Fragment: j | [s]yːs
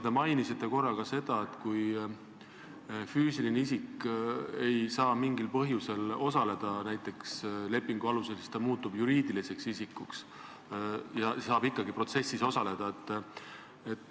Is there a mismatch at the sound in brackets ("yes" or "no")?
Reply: yes